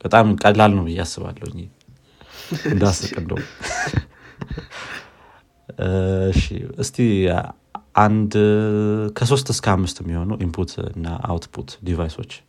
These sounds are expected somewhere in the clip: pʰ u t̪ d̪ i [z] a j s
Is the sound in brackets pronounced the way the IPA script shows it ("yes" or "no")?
no